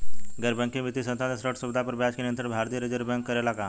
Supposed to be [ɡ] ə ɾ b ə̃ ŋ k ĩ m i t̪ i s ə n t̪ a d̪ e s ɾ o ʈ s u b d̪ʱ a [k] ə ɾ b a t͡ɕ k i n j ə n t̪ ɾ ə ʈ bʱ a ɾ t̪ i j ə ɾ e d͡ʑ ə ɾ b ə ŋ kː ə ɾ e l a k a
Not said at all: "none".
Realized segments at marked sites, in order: ɡ, p

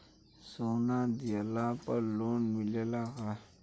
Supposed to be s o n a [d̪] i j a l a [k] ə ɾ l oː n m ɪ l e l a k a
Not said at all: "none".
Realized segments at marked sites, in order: d̪, p

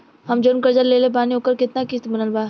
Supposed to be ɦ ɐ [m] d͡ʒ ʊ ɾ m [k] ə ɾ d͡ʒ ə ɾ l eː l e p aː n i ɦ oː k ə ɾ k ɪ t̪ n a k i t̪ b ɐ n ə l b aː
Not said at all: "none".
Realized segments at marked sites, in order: m, k

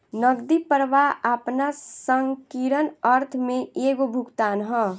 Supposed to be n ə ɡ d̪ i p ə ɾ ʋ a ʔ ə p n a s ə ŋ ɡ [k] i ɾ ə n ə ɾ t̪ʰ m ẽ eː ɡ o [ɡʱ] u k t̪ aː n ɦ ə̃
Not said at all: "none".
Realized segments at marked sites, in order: k, bʱ

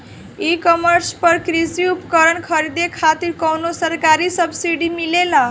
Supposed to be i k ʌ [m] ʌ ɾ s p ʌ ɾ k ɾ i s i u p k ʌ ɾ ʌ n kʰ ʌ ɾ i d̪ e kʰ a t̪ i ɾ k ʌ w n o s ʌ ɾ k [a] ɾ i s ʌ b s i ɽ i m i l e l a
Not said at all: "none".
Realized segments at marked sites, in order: m, a

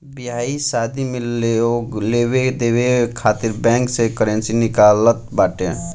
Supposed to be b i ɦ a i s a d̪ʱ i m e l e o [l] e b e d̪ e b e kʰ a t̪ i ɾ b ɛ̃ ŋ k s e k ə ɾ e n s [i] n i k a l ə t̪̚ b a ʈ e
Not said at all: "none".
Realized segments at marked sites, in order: l, i

